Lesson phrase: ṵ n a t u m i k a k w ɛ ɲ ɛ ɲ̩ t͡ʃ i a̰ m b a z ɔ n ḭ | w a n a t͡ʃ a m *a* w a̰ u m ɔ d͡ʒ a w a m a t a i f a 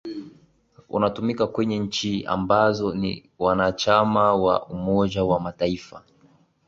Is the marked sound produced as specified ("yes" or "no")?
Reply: yes